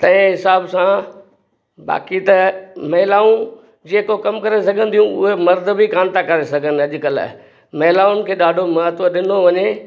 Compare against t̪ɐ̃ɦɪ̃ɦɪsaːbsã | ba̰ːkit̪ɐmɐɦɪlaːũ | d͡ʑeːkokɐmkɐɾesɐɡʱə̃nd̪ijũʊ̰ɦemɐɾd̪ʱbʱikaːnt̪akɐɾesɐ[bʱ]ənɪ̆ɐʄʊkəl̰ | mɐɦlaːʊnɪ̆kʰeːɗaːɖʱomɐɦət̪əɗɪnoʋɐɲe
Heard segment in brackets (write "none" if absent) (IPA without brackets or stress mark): ɡʱ